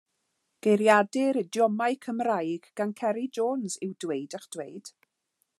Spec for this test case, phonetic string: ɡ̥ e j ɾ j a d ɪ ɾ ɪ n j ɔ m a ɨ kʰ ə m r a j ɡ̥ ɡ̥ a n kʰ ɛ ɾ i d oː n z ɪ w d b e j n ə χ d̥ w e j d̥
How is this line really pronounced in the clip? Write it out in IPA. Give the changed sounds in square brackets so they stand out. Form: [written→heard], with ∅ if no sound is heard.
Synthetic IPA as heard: ɡ̥ e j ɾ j a d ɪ ɾ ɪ [n→d] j ɔ m a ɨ kʰ ə m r a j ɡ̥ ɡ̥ a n kʰ ɛ ɾ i [d→d͡ʒ] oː n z ɪ w d [b→w] e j [n→d] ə χ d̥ w e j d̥